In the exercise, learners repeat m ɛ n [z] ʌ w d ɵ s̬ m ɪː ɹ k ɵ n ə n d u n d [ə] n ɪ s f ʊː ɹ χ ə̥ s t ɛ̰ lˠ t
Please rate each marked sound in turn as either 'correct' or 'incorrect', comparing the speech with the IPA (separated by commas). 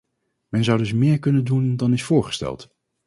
correct, incorrect